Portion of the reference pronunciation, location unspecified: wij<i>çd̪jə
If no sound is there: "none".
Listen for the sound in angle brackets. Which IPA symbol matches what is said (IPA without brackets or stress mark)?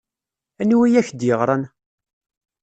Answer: æ